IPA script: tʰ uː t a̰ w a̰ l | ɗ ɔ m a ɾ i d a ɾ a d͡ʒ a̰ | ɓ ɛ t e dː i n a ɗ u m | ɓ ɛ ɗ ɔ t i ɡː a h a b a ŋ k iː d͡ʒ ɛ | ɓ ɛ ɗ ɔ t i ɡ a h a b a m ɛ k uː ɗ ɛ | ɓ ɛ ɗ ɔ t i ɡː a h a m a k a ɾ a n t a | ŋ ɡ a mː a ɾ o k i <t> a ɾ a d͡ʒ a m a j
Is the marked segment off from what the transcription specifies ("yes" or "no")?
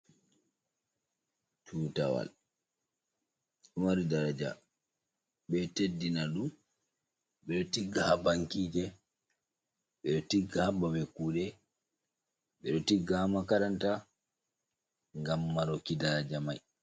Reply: yes